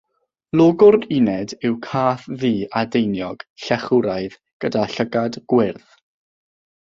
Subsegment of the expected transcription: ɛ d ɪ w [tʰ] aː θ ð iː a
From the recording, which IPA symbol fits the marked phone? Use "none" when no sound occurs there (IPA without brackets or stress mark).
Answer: kʰ